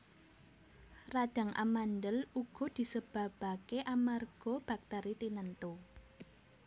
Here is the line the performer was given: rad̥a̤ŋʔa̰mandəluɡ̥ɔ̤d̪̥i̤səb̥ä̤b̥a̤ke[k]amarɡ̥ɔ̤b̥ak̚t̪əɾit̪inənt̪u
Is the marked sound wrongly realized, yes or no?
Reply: yes